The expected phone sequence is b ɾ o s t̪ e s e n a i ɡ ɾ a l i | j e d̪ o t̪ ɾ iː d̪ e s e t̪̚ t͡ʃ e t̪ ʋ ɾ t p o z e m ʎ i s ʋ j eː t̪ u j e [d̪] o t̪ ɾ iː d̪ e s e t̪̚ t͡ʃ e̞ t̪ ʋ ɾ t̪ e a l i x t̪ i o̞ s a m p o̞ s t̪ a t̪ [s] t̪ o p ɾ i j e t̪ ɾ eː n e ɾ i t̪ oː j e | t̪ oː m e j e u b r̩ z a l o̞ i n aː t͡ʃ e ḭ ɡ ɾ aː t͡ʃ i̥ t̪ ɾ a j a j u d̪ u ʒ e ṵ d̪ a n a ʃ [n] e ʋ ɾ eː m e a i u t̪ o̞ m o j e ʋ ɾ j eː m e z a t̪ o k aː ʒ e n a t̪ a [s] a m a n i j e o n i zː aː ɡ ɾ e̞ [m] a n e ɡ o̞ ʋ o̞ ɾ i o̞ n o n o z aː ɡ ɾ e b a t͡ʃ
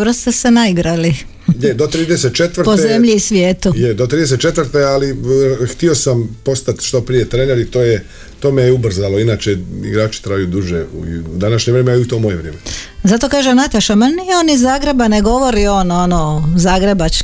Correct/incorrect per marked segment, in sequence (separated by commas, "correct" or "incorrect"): correct, incorrect, incorrect, incorrect, incorrect